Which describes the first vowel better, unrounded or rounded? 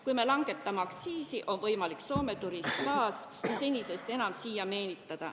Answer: rounded